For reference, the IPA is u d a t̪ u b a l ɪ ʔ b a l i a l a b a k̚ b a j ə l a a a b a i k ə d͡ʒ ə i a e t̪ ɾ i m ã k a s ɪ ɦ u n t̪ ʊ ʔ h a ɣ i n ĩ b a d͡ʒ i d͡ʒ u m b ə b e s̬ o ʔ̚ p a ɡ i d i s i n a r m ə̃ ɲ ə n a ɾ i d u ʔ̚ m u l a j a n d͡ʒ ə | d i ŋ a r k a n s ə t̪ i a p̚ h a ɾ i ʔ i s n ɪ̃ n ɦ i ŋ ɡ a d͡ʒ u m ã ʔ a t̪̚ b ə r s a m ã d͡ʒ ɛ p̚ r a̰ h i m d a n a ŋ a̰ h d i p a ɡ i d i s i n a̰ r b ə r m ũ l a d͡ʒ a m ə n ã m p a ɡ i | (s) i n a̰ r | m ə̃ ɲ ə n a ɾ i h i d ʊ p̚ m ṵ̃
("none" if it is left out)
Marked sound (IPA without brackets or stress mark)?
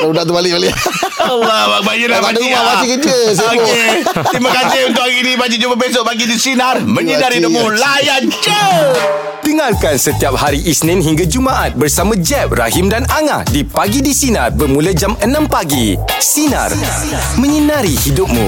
s